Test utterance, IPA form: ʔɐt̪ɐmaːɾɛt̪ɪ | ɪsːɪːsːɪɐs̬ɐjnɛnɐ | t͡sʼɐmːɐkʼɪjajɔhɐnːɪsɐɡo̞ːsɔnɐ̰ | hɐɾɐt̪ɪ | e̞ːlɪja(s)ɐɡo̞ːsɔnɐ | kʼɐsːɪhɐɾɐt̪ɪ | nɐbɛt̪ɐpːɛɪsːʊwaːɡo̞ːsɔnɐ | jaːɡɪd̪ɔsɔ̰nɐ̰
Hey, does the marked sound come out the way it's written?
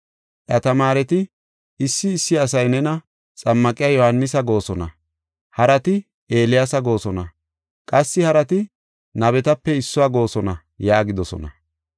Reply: yes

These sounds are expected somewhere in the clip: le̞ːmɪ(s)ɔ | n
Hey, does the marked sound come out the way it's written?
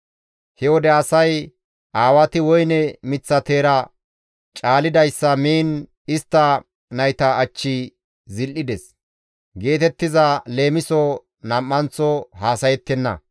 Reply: yes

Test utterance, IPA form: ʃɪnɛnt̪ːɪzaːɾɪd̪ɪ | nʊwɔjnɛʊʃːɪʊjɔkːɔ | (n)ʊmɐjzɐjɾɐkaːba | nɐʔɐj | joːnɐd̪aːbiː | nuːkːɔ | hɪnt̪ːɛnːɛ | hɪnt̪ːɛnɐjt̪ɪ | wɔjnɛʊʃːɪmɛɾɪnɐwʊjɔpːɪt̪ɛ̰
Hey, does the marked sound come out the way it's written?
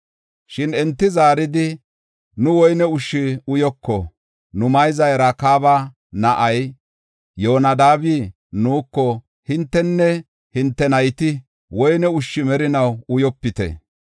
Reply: yes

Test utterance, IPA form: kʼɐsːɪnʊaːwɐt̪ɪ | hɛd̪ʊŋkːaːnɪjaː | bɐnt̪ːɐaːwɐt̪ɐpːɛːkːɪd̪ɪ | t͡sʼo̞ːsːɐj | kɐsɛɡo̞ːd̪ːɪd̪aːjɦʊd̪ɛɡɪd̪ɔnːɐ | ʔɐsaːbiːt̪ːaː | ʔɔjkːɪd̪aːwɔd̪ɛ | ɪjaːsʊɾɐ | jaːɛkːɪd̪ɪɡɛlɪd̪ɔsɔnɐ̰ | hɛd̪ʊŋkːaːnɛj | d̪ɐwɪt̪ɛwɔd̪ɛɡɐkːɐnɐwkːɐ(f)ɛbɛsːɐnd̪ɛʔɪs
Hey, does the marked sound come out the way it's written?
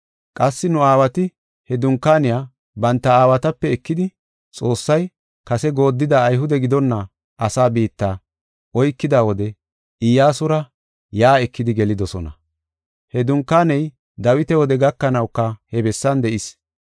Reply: no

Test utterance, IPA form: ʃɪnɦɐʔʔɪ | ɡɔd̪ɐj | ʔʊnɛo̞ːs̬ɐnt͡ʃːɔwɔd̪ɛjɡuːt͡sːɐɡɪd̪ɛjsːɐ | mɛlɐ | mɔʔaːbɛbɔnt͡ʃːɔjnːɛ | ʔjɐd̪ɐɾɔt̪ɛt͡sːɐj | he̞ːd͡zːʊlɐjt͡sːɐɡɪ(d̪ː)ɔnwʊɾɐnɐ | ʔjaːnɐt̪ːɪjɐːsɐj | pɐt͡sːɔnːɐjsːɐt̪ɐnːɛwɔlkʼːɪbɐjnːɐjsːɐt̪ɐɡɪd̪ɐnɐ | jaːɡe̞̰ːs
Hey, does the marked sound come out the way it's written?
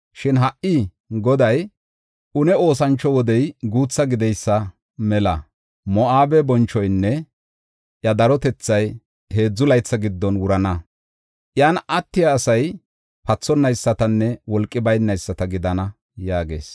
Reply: yes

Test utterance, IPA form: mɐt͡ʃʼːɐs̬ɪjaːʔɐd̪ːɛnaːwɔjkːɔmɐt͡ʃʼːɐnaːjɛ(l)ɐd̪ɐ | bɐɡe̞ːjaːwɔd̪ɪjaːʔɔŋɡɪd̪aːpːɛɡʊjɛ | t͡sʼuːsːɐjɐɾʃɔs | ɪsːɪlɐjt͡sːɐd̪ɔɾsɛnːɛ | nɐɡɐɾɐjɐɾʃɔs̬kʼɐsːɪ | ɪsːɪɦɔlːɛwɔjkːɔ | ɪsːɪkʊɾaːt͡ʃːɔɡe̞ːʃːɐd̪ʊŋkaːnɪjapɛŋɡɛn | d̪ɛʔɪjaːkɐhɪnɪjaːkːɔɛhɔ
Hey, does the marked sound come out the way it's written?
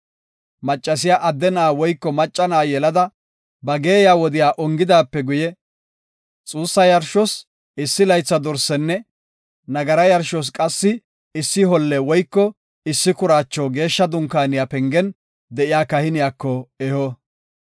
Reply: yes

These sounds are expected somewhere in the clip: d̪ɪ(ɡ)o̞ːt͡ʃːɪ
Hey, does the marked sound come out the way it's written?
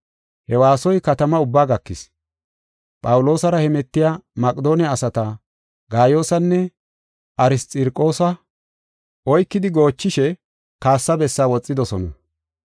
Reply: yes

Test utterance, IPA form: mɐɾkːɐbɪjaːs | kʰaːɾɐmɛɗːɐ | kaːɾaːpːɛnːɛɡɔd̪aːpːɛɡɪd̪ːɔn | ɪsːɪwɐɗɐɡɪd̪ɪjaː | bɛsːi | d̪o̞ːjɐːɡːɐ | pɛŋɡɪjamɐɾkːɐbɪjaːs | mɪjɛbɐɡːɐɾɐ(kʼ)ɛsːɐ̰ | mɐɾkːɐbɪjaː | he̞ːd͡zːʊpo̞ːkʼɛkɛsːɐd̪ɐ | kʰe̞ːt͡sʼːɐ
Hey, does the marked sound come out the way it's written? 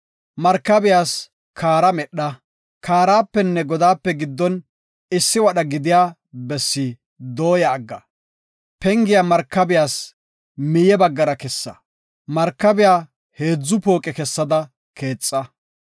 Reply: no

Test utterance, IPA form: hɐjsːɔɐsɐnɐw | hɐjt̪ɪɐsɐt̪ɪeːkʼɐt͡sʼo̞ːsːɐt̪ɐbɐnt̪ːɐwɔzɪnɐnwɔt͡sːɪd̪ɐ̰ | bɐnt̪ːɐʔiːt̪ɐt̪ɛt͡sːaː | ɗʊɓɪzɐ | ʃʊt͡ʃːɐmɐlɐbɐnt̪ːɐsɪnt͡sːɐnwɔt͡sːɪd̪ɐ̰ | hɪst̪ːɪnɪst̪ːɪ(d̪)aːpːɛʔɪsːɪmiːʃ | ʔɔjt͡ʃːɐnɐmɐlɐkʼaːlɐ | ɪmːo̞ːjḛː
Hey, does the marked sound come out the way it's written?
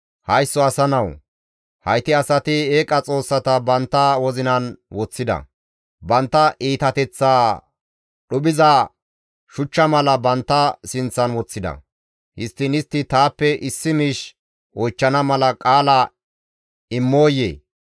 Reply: no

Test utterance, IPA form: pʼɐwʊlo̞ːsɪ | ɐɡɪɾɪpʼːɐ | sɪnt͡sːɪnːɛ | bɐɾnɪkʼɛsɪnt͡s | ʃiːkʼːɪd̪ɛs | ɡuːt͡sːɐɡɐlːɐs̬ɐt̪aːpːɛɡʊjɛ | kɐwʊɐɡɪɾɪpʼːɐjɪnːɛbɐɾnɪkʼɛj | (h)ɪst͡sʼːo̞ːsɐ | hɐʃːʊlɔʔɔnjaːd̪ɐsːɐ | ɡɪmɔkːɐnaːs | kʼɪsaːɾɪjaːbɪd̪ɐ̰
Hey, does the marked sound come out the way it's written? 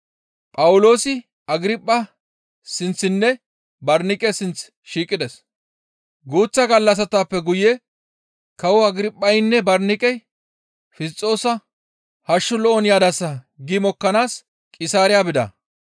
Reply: no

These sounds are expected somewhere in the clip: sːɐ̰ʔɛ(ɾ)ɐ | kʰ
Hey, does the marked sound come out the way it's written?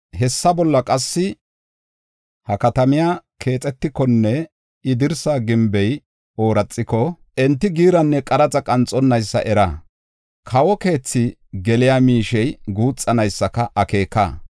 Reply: yes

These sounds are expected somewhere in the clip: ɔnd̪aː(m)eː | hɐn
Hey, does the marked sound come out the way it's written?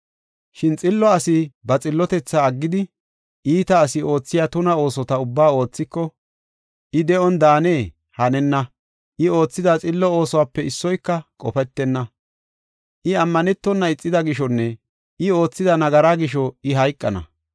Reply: no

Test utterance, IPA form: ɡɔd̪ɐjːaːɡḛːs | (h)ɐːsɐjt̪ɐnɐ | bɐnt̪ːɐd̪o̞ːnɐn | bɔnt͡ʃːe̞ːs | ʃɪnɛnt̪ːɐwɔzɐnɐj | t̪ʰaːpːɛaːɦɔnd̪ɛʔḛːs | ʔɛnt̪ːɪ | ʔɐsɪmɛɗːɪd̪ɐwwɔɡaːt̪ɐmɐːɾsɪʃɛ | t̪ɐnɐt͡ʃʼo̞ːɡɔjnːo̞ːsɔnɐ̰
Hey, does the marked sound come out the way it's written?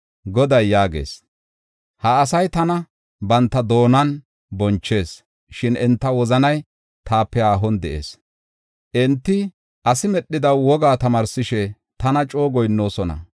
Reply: yes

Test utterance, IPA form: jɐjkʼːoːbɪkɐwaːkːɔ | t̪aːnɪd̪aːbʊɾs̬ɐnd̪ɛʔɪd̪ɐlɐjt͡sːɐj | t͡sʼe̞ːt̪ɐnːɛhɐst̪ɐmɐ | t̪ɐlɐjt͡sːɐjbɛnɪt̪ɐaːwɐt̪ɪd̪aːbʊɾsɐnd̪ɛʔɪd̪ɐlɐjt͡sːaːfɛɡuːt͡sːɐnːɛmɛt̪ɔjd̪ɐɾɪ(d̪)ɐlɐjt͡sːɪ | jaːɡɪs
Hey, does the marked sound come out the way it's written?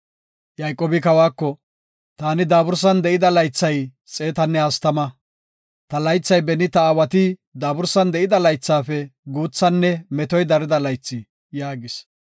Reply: yes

